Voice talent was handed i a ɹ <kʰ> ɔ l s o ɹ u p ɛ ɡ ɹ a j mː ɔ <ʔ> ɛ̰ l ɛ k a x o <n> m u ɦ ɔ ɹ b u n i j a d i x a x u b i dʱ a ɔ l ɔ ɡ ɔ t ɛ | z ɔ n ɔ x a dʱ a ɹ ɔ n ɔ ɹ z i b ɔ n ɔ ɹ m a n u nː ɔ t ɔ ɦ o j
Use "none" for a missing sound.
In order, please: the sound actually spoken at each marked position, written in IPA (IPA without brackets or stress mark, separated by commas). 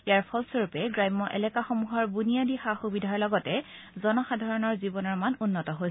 pʰ, ʔ, none